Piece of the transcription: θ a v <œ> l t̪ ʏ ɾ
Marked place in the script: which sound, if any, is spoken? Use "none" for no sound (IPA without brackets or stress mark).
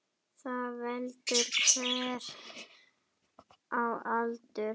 ɛ